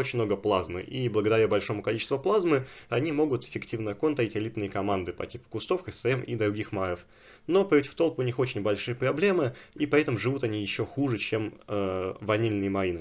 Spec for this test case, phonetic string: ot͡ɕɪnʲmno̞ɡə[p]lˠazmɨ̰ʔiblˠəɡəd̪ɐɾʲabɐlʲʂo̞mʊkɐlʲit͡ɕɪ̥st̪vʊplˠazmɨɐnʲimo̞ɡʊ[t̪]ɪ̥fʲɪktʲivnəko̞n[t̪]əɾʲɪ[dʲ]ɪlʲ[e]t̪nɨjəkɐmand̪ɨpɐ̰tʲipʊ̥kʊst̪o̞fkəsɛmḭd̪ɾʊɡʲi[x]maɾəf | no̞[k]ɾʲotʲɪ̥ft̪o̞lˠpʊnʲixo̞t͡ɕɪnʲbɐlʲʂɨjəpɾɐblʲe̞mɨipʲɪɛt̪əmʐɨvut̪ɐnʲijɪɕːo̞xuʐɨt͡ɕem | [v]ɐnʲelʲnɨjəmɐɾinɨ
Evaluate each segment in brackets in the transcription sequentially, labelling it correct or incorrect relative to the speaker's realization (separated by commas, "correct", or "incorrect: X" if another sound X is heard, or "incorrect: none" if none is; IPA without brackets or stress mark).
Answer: correct, correct, correct, incorrect: tʲ, incorrect: i, correct, incorrect: p, correct